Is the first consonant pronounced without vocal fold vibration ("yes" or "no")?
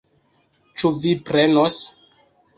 yes